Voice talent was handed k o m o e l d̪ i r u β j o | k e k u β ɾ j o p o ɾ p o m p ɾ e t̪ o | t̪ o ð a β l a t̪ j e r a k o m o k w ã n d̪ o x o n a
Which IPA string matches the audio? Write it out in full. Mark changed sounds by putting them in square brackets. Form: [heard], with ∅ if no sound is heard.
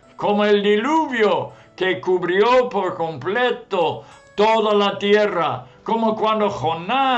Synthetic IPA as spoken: k o m o e l d̪ i [l] u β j o | k e k u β ɾ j o p o ɾ [k] o m p [l] e t̪ o | t̪ o ð a [∅] l a t̪ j e r a k o m o k w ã n d̪ o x o n a